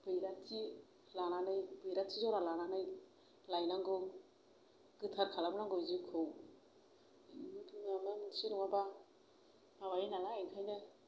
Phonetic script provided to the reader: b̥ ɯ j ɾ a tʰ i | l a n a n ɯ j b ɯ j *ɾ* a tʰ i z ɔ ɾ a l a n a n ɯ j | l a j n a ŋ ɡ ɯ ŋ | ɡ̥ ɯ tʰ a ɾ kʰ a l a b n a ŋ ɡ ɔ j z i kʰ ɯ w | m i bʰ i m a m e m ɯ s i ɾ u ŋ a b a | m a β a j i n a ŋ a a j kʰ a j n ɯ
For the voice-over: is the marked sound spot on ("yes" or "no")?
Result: yes